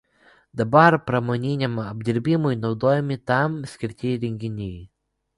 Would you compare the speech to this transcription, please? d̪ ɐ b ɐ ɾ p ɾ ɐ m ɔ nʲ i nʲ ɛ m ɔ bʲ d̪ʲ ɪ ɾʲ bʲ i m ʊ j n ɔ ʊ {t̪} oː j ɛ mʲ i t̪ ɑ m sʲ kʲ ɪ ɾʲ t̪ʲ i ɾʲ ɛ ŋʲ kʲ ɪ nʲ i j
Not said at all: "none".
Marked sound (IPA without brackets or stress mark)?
d̪